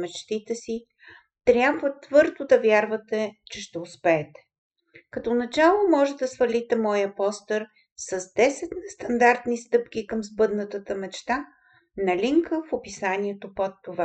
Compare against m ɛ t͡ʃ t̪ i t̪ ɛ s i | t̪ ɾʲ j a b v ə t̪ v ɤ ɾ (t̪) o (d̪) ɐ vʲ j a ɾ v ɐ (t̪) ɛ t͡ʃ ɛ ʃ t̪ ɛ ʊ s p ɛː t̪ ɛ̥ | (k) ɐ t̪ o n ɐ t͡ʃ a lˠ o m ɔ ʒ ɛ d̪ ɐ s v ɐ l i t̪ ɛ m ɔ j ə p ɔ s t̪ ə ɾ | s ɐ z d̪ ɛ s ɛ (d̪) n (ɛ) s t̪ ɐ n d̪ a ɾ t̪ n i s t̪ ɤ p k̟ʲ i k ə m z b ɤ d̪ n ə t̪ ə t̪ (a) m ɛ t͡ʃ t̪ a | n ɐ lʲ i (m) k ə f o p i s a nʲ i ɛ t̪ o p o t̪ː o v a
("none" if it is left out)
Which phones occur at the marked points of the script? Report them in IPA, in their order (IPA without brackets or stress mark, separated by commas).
d̪, d̪, t̪, k, t̪, ɛ, ə, ŋ